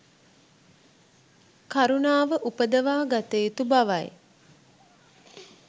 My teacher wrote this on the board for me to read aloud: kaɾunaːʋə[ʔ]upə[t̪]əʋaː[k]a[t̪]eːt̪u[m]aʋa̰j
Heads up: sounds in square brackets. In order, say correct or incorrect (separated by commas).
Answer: correct, incorrect, incorrect, correct, incorrect